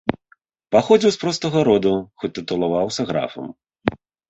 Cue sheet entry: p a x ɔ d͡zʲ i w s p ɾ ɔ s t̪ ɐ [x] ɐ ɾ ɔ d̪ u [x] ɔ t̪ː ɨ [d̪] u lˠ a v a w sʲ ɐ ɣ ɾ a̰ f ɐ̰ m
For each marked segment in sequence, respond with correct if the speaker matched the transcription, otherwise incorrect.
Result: incorrect, correct, incorrect

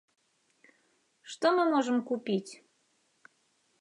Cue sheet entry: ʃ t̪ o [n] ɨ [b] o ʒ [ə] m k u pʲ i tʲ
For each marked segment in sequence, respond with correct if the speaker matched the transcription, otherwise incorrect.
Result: incorrect, incorrect, correct

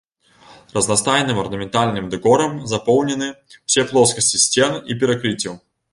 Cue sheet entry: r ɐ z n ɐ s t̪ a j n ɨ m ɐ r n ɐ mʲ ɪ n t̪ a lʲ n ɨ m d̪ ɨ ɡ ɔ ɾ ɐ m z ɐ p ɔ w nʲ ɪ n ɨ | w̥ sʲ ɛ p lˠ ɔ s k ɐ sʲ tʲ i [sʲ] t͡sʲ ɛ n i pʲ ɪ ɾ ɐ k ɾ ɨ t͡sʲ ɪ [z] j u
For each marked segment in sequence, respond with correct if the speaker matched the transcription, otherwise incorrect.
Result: correct, incorrect

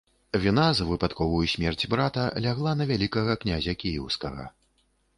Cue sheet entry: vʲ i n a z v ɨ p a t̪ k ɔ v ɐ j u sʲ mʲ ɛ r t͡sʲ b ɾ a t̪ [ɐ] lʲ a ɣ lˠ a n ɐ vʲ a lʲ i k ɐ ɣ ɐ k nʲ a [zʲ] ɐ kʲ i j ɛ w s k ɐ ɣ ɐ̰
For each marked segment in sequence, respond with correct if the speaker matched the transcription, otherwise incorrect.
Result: correct, correct

